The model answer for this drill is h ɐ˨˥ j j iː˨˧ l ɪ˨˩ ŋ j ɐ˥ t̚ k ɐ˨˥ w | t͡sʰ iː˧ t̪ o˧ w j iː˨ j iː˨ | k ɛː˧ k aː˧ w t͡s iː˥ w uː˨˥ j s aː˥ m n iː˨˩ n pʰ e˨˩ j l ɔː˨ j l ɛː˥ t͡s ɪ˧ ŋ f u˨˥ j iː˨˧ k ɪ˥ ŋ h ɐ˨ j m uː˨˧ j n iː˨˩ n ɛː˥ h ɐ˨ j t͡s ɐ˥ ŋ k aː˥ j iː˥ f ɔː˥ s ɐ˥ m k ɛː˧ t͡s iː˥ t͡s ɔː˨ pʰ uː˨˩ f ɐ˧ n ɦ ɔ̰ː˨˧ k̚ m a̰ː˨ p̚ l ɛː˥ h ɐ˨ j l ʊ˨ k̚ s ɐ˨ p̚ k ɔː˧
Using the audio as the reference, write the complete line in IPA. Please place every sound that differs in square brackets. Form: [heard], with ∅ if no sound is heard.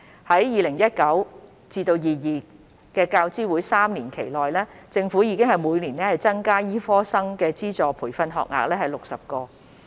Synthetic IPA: h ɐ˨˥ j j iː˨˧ l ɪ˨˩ ŋ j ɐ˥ t̚ k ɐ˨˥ w | [t͡s] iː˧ t̪ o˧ w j iː˨ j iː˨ | k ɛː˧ k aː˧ w t͡s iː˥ w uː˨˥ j s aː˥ m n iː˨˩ n [kʰ] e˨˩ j l ɔː˨ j l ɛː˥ t͡s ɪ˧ ŋ f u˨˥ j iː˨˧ k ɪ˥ ŋ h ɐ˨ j m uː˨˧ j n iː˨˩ n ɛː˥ h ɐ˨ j t͡s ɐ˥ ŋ k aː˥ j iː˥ f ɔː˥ s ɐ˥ [ŋ] k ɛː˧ t͡s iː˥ t͡s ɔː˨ pʰ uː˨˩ f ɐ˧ n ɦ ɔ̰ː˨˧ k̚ [ŋ] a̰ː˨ [k̚] l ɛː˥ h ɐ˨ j l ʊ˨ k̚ s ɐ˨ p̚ k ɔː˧